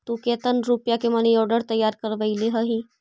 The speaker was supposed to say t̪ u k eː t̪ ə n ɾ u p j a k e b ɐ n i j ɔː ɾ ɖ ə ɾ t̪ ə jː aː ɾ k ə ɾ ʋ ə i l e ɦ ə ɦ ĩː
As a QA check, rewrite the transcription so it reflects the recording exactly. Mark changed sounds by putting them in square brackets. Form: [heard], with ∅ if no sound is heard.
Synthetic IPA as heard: t̪ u k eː t̪ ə n ɾ u p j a k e [m] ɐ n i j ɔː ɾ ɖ ə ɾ t̪ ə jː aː ɾ k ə ɾ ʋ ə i l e ɦ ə ɦ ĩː